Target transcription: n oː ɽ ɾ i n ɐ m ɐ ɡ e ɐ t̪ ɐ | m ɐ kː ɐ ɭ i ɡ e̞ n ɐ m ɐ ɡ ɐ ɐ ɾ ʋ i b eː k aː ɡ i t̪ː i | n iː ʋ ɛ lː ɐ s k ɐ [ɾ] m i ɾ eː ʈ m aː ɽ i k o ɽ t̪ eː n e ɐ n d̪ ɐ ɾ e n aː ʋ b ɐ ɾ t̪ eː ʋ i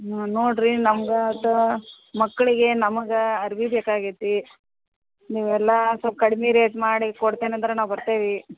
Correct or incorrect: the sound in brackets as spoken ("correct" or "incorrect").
incorrect